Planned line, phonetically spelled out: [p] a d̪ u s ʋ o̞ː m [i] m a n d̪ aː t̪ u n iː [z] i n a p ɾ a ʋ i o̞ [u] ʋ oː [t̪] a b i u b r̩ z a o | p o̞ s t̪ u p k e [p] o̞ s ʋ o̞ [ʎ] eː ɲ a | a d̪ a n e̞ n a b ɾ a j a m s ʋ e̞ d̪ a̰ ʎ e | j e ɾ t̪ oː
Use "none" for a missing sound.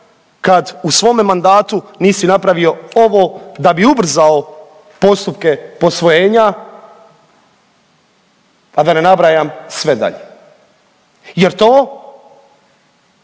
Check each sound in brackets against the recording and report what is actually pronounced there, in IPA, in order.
k, e, s, o, d̪, p, j

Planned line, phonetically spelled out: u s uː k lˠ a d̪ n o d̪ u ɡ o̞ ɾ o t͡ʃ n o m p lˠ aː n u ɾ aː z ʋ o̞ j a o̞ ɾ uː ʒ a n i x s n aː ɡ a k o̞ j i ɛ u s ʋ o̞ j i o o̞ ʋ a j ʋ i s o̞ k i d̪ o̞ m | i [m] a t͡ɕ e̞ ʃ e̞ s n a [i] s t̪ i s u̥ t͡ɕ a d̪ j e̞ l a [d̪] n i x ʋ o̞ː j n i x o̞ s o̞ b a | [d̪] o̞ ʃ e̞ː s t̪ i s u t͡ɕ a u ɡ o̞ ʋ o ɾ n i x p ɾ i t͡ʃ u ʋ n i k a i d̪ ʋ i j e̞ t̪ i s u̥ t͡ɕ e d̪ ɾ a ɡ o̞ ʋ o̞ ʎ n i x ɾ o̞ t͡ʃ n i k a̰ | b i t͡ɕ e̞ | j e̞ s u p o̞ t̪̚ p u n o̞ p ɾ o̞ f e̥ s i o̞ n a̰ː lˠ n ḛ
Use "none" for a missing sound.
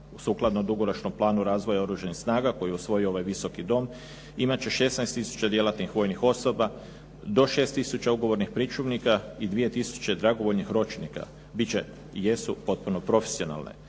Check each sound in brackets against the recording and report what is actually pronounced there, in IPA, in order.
m, j, t̪, d̪

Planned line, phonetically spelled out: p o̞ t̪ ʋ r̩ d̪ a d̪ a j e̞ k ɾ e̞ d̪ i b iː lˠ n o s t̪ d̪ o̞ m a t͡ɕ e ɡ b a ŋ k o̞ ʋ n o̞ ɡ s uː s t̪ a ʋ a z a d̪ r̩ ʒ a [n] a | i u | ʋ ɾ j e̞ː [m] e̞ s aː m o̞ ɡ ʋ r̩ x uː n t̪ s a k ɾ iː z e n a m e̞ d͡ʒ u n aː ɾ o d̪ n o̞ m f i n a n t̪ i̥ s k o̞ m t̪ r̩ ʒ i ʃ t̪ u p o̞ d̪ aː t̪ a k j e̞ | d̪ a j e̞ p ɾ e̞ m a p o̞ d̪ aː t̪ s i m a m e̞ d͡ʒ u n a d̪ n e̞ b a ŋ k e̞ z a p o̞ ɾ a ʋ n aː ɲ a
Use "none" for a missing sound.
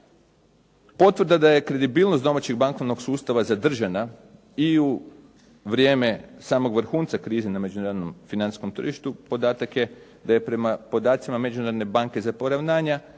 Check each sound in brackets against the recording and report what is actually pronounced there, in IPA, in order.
n, m

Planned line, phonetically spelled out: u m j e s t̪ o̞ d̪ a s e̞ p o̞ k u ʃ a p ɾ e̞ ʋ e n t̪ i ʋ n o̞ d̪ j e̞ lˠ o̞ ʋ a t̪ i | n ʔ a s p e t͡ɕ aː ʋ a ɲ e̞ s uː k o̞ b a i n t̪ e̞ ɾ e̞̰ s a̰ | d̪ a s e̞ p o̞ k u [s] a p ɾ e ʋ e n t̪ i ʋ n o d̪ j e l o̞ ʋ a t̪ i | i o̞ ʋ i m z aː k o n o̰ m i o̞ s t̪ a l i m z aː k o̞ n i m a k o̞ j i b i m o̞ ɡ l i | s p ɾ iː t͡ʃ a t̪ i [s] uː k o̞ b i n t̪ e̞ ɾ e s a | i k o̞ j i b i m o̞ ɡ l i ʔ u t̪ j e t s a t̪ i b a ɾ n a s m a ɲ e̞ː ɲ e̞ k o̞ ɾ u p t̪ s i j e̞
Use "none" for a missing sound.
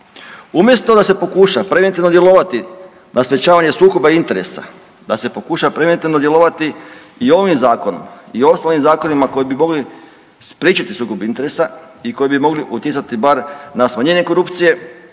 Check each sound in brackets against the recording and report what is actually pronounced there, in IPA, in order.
ʃ, s

